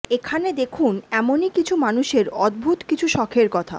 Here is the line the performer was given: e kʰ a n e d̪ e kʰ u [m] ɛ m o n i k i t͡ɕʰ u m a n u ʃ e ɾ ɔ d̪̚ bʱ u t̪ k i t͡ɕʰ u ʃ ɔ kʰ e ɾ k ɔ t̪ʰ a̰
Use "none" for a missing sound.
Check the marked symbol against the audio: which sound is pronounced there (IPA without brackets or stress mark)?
n